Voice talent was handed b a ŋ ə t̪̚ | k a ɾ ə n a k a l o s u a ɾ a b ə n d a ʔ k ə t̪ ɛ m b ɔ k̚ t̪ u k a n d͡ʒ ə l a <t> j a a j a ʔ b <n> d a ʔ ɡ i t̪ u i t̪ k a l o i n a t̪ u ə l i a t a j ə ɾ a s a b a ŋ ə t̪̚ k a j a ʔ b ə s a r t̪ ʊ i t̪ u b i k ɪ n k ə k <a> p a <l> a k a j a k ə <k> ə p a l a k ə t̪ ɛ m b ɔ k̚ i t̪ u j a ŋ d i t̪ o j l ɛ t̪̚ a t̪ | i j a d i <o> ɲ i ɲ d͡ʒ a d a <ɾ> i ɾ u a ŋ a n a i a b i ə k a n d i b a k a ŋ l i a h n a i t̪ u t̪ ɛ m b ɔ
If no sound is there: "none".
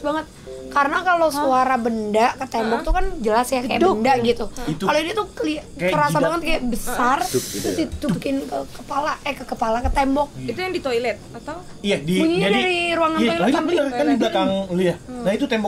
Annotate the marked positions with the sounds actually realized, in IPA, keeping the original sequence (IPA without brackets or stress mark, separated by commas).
s, n, ə, l, k, u, ɾ